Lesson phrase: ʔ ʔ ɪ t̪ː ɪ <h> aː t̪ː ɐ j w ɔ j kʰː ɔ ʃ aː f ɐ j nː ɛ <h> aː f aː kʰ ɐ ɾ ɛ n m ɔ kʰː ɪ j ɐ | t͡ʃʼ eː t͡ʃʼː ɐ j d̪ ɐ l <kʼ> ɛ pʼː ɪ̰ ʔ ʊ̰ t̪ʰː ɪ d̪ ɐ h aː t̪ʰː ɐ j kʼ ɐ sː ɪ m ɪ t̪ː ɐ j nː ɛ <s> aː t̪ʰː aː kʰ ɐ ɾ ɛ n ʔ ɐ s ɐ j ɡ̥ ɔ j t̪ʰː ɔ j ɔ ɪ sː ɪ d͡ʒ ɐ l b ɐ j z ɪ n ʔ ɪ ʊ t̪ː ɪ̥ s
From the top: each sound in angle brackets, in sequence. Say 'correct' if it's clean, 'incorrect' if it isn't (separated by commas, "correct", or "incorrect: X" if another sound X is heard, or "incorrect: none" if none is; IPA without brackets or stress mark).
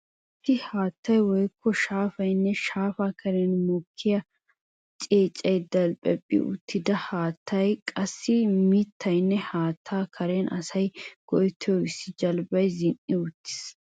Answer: correct, incorrect: ʃ, incorrect: pʼ, incorrect: h